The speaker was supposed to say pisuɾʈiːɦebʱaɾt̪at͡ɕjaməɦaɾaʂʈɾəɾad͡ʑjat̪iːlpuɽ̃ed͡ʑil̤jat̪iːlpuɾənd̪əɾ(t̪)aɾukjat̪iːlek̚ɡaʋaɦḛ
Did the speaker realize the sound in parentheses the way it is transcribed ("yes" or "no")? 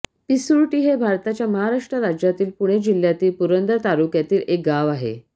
yes